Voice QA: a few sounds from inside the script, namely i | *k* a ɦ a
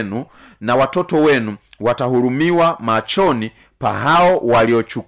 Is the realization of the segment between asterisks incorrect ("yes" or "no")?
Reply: yes